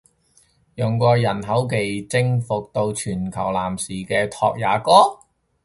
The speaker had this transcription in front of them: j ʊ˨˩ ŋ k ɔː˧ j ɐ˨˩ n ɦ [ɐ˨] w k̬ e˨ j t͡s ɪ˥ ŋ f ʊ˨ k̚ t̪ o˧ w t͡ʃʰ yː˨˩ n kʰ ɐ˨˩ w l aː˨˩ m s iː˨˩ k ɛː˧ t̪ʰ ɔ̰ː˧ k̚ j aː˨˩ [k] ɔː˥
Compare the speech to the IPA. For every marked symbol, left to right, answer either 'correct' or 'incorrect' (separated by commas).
incorrect, correct